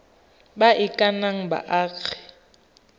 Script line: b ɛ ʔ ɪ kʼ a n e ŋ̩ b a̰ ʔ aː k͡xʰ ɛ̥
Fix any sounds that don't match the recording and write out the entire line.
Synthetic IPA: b a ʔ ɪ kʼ a n a ŋ̩ b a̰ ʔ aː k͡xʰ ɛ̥